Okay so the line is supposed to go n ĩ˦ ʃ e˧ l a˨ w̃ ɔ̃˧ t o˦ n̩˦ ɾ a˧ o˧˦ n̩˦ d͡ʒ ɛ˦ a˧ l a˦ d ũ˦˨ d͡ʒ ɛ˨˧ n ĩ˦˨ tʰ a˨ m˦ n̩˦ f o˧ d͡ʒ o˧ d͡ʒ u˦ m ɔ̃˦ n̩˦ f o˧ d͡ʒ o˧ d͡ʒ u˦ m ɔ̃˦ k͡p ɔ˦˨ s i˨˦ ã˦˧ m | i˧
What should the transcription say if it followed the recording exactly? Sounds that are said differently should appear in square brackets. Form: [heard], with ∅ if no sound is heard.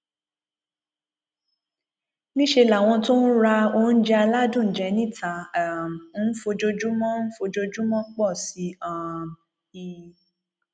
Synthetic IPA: n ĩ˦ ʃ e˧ l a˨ w̃ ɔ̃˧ t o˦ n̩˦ ɾ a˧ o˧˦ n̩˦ d͡ʒ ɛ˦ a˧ l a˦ d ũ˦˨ d͡ʒ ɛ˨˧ n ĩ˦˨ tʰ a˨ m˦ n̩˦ f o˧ d͡ʒ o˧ d͡ʒ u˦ m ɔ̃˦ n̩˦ f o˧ d͡ʒ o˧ d͡ʒ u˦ m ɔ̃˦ k͡p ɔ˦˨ s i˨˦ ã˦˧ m | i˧